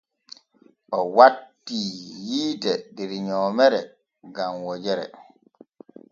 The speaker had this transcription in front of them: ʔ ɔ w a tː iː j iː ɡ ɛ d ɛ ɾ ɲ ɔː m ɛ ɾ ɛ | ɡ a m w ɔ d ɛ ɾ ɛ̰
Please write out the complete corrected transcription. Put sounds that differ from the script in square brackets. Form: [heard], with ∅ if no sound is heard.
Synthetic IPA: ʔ ɔ w a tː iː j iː [d] ɛ d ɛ ɾ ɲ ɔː m ɛ ɾ ɛ | ɡ a m w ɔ [d͡ʒ] ɛ ɾ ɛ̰